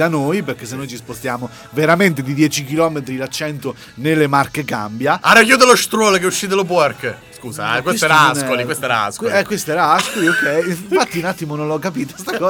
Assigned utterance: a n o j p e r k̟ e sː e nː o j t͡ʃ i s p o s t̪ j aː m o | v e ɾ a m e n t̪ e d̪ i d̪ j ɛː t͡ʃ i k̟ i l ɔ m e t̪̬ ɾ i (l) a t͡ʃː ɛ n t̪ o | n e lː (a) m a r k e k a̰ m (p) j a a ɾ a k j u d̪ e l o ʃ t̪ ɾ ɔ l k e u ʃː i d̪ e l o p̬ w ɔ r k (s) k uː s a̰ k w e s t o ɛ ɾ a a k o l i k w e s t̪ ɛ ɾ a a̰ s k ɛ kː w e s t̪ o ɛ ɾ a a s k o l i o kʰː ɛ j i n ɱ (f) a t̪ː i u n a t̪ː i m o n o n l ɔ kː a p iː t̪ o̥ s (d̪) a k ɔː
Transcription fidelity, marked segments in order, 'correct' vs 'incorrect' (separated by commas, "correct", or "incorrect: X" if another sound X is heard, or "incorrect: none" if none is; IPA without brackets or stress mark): correct, incorrect: e, incorrect: b, correct, correct, incorrect: t̪